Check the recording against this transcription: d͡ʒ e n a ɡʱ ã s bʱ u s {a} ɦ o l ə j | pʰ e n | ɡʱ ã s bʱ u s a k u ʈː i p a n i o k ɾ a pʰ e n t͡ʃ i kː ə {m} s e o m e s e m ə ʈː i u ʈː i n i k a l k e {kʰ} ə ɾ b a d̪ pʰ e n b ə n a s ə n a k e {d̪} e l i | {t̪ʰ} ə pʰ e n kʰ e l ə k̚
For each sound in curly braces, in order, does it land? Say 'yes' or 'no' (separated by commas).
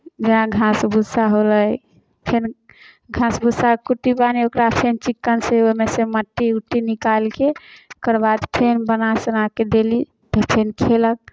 yes, no, no, yes, no